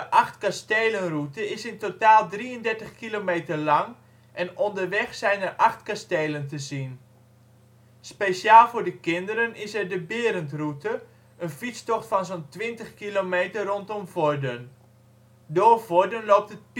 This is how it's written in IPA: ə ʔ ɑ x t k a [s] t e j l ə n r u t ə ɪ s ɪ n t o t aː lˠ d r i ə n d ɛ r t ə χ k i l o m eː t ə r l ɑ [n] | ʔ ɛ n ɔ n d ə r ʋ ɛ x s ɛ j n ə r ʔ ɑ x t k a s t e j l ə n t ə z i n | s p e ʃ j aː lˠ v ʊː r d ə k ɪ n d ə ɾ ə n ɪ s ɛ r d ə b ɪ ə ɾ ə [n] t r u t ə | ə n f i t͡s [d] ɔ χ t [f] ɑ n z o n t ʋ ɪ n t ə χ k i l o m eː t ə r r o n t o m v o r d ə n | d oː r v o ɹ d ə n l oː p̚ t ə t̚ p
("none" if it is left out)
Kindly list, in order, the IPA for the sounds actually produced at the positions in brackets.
s, ŋ, n, t, f

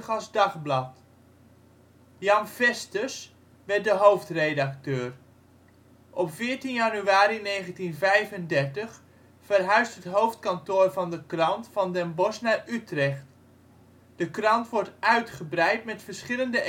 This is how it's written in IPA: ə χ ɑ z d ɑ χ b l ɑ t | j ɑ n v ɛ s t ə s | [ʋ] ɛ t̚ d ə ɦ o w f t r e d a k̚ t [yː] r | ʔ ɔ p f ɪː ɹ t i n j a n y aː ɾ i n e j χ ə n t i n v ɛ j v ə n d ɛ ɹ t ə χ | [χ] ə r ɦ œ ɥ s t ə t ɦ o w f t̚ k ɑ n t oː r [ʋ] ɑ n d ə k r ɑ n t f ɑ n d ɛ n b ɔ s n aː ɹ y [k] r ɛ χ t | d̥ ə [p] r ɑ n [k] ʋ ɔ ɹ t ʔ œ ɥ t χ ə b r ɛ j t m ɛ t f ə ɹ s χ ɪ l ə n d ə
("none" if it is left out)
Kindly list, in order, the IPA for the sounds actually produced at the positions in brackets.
ʋ, øː, f, v, t, k, t

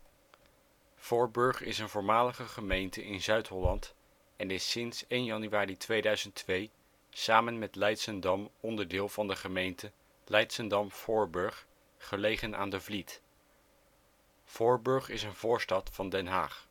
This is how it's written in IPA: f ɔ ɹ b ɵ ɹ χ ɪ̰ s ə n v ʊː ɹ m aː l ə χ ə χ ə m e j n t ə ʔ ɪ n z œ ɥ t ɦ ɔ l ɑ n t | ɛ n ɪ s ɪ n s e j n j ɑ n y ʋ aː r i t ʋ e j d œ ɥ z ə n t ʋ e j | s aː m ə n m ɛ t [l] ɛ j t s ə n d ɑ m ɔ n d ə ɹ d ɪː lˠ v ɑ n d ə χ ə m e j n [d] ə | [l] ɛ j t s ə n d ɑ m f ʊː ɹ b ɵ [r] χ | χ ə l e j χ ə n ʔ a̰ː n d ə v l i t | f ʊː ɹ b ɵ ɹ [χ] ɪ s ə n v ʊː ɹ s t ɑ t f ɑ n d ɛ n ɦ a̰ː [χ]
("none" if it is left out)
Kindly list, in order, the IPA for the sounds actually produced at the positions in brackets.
l, t, l, ɹ, χ, χ

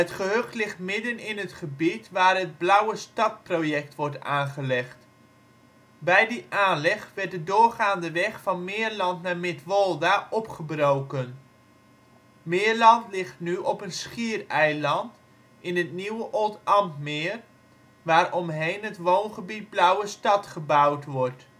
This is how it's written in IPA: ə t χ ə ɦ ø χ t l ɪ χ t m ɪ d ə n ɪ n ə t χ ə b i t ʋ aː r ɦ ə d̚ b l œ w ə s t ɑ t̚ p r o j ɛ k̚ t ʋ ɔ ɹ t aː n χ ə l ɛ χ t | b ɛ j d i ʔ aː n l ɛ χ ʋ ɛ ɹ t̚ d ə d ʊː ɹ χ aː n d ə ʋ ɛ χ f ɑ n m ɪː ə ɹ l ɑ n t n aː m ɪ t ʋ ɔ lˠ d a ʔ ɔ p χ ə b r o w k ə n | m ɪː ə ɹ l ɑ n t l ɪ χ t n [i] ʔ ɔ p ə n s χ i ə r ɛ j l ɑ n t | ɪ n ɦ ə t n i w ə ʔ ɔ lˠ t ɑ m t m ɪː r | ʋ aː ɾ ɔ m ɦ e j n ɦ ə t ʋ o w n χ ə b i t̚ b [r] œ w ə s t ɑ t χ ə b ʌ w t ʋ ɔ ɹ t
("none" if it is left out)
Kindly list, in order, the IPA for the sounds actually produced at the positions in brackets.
y, l

